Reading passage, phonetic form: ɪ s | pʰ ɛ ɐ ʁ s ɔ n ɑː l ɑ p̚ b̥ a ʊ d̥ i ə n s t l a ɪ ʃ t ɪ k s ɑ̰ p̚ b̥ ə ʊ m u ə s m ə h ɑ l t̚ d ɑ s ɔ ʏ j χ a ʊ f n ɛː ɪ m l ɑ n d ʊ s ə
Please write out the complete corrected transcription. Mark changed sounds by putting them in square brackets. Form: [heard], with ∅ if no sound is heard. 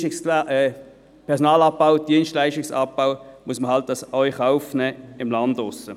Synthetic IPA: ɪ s | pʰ ɛ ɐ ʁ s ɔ n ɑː l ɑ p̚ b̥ a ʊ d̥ i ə n s t l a ɪ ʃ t ɪ k s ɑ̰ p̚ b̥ [a] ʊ m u ə s m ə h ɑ l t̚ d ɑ s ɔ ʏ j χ a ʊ f n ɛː ɪ m l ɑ n d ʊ s ə